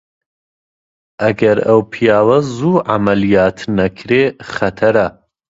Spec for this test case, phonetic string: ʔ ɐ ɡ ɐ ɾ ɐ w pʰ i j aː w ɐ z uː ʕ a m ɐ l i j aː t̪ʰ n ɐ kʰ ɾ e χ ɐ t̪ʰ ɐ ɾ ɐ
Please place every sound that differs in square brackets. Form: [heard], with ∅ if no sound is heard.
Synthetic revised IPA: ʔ ɐ ɡ ɐ ɾ ɐ w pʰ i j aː w ɐ z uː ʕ a m ɐ l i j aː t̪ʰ n ɐ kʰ ɾ e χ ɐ t̪ʰ ɐ ɾ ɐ